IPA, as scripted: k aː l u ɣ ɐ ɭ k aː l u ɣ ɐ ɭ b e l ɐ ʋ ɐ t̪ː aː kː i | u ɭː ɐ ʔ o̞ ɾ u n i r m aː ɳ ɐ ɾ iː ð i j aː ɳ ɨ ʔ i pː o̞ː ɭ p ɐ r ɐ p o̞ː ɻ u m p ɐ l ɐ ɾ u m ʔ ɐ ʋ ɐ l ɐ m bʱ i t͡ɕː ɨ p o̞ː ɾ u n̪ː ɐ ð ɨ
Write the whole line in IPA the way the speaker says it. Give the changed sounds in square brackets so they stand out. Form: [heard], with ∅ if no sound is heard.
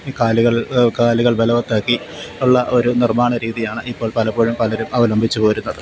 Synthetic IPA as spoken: k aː l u ɣ ɐ ɭ k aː l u ɣ ɐ ɭ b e l ɐ ʋ ɐ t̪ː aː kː i | u ɭː ɐ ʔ o̞ ɾ u n i r m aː ɳ ɐ ɾ iː ð i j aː ɳ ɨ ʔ i pː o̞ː ɭ p ɐ [l] ɐ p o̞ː ɻ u m p ɐ l ɐ ɾ u m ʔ ɐ ʋ ɐ l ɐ m bʱ i t͡ɕː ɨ p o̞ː ɾ u n̪ː ɐ ð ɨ